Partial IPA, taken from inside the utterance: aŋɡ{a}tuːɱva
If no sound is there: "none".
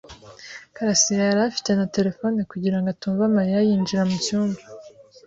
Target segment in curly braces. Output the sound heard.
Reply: a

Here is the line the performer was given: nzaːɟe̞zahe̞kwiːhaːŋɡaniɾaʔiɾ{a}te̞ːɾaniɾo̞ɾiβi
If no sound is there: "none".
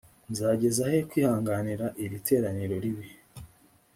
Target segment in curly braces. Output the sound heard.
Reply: i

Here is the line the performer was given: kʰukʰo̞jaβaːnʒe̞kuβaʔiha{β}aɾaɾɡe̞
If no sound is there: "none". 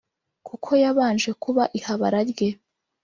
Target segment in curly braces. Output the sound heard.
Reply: β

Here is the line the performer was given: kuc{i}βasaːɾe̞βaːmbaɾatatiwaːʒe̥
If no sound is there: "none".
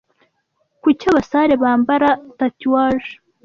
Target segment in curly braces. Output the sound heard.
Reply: a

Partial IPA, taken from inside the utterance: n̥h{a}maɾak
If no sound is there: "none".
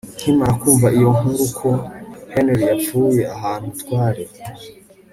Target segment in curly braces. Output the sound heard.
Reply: i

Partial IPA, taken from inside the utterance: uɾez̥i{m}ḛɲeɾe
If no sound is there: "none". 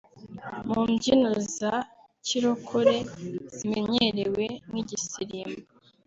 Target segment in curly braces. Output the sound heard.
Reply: m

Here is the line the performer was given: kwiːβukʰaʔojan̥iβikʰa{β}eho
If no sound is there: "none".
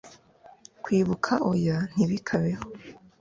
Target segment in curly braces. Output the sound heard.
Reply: β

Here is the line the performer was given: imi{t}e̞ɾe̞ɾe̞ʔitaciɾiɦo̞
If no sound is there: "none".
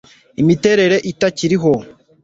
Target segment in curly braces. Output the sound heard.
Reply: t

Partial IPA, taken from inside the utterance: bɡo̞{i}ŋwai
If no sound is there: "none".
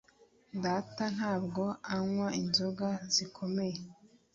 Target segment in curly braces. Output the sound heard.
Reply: a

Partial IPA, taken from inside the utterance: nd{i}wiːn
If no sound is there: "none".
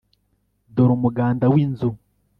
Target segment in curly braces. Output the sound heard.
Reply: a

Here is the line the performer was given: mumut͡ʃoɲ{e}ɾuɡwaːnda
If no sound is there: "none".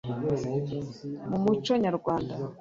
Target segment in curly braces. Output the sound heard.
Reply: a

